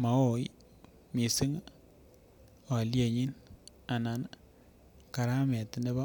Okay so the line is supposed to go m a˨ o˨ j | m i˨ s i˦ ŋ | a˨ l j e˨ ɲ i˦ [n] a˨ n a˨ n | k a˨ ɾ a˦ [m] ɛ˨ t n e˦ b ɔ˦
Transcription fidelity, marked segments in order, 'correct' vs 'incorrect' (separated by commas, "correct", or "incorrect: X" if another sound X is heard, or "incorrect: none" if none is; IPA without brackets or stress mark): correct, correct